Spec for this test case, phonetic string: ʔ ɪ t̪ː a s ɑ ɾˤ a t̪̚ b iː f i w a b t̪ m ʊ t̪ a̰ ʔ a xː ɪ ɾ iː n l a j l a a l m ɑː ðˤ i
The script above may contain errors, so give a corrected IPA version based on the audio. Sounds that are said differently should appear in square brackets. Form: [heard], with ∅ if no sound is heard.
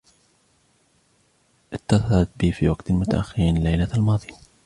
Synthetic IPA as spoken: ʔ ɪ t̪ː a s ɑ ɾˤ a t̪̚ b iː f i w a [ɡ] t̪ m ʊ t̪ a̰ ʔ a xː ɪ ɾ iː n l a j l a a l m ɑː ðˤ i